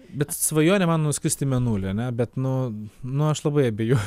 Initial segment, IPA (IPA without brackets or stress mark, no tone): bʲ